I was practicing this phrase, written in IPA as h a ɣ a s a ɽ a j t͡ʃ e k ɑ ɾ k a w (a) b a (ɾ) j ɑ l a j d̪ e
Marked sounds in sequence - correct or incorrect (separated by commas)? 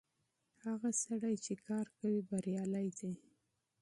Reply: incorrect, correct